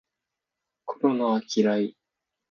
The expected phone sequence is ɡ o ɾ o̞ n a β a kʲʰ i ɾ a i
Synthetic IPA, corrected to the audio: k o ɾ o̞ n a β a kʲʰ i ɾ a i